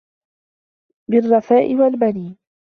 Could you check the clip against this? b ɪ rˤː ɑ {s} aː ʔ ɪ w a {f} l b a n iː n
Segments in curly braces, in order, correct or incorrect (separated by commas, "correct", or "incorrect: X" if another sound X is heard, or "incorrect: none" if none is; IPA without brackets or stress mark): incorrect: f, incorrect: none